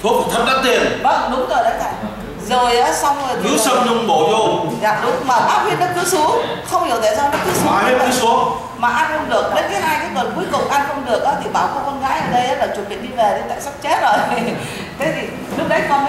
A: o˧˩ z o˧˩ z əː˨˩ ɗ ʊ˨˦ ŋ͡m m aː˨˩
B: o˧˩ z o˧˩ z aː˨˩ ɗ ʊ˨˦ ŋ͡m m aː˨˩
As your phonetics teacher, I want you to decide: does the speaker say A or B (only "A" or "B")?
B